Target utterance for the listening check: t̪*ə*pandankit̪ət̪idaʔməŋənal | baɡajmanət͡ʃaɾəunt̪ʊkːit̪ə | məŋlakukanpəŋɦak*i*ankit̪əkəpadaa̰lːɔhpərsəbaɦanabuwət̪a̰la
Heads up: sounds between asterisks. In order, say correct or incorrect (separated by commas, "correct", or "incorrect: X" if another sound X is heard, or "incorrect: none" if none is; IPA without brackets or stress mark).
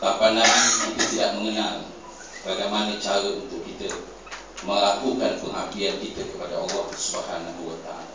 incorrect: a, correct